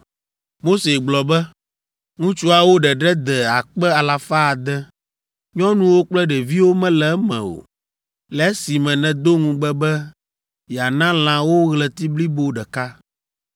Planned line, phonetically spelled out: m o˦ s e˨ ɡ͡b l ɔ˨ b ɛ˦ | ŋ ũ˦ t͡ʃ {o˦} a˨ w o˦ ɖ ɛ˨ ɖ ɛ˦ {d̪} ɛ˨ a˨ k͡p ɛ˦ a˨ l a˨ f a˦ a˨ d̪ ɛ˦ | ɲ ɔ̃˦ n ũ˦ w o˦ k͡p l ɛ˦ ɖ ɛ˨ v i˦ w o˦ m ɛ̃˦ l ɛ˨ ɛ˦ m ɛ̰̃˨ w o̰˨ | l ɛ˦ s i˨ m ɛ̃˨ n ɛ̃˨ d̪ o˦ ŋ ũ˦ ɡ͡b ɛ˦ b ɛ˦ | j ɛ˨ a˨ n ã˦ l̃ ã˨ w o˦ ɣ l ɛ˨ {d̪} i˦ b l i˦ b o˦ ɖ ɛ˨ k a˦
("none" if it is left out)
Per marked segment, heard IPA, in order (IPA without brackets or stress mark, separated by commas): u˦, d̪, t̪